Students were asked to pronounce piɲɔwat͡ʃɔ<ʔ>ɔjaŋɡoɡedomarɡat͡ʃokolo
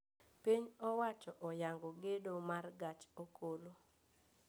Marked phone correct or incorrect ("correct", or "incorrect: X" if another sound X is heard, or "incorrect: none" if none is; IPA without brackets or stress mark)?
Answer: correct